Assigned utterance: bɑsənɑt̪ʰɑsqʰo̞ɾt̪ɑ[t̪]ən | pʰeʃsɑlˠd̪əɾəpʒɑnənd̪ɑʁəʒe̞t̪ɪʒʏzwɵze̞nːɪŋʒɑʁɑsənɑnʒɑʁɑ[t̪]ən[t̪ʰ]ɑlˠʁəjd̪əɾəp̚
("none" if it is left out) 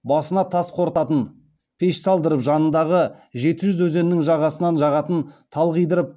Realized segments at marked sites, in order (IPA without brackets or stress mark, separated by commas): t̪, t̪, t̪ʰ